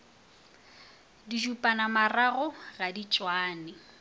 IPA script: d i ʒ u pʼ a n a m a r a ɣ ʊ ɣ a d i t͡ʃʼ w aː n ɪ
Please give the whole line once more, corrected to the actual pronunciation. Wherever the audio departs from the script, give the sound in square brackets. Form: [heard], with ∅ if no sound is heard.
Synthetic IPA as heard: d i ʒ u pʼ a n a m a r a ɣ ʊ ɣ a d i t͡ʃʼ w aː n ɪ